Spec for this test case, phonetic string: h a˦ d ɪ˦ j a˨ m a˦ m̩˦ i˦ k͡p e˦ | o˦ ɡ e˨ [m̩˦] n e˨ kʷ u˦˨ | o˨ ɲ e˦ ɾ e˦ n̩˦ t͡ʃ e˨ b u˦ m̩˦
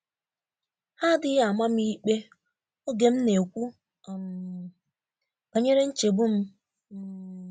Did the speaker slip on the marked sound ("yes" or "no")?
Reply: no